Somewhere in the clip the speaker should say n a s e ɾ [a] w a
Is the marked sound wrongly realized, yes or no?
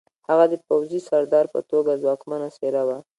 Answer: no